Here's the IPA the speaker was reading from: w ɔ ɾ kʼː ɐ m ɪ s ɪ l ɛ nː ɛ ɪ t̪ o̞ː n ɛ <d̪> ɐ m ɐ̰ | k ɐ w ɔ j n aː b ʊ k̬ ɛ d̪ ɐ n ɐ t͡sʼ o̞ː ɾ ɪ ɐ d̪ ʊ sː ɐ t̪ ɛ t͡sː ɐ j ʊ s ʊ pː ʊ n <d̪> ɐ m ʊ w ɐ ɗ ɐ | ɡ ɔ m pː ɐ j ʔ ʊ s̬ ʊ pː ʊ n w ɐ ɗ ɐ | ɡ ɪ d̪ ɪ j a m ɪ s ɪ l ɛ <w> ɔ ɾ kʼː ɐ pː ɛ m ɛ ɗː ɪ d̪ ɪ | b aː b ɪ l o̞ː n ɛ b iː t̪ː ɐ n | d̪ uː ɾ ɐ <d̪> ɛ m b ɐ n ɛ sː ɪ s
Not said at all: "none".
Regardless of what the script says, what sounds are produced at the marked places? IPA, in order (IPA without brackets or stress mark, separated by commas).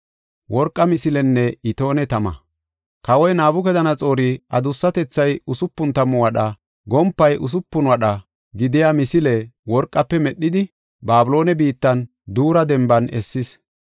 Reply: t̪, t̪, w, d̪